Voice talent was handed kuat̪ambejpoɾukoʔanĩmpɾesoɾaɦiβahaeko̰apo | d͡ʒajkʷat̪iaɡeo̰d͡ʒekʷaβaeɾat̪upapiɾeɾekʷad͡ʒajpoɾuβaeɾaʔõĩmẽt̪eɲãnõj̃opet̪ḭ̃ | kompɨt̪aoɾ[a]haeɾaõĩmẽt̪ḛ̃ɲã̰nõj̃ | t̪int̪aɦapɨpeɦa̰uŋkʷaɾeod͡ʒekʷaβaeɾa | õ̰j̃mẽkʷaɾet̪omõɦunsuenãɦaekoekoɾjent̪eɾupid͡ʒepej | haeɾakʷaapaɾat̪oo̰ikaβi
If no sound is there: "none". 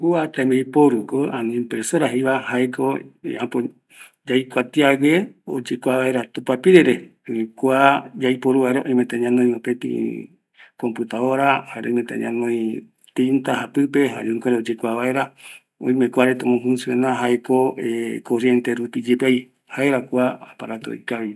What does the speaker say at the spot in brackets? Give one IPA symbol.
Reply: a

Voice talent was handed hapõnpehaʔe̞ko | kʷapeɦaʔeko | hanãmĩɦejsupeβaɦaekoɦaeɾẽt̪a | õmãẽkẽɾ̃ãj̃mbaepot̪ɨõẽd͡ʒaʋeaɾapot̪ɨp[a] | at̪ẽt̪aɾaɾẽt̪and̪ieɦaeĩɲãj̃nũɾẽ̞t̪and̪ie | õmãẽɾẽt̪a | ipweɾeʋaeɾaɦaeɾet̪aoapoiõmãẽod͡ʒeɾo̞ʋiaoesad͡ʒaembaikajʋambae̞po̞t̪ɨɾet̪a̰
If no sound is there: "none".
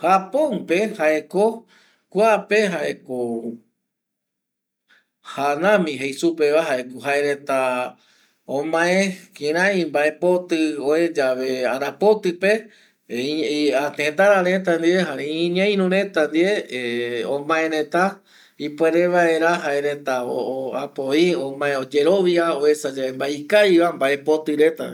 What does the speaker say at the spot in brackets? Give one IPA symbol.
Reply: e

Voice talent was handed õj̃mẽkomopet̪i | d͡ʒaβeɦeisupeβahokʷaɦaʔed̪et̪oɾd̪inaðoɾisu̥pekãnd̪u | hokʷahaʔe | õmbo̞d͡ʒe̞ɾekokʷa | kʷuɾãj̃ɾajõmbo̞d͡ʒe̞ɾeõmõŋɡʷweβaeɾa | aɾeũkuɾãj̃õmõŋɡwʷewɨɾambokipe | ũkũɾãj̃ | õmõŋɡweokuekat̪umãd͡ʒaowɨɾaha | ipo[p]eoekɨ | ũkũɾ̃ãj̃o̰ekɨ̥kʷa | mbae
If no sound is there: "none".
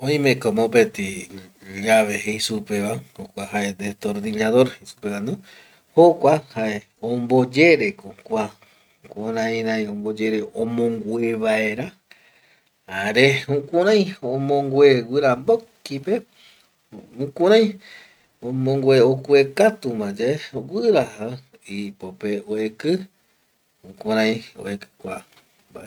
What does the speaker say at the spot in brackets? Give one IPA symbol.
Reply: p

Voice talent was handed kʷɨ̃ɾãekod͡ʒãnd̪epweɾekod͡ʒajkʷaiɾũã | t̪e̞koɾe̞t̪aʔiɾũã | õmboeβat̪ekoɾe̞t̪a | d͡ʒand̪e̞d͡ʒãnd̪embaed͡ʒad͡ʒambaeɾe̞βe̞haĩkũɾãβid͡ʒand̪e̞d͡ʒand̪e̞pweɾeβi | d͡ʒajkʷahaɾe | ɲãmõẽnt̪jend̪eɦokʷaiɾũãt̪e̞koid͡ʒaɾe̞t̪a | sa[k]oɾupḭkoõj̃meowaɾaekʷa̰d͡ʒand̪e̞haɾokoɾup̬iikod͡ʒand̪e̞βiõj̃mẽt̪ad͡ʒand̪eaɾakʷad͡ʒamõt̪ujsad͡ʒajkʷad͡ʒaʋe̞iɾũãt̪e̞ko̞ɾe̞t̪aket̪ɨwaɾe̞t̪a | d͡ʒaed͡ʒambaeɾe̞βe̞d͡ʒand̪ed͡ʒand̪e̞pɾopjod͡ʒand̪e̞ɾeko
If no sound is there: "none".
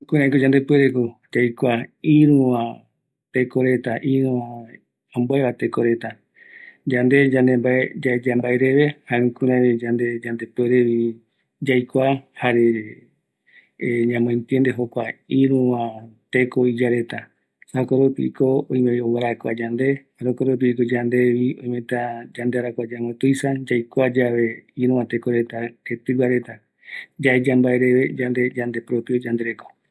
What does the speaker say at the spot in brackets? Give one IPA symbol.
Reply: k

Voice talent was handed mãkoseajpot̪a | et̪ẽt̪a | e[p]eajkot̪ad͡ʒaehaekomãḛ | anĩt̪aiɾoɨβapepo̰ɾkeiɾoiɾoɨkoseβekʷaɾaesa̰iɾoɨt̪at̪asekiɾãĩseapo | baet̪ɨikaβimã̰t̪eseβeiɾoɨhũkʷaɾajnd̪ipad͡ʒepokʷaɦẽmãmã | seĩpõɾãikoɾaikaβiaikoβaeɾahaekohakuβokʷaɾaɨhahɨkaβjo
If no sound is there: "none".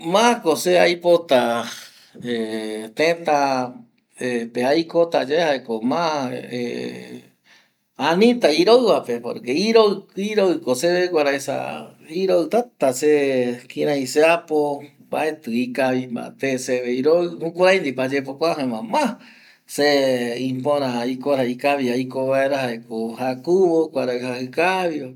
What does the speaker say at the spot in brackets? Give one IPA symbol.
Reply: p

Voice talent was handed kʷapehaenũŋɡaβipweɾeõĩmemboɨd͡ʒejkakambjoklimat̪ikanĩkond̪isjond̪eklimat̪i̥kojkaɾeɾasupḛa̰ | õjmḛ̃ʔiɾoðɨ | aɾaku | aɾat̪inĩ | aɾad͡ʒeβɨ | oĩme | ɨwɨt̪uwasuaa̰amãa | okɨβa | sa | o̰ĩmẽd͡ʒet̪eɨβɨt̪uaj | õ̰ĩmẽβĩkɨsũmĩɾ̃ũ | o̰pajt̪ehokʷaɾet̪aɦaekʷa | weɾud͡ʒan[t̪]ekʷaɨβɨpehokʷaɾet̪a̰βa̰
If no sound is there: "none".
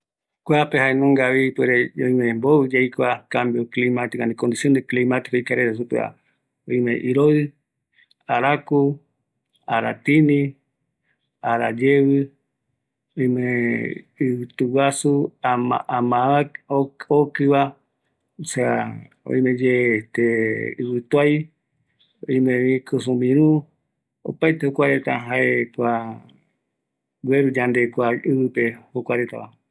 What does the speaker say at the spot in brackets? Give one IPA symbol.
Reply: d̪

